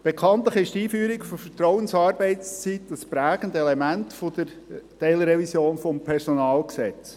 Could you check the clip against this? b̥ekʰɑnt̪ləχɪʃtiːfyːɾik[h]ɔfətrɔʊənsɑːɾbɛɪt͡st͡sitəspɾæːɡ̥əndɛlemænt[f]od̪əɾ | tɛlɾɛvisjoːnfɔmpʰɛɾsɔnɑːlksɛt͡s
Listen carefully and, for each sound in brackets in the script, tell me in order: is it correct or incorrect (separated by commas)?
incorrect, correct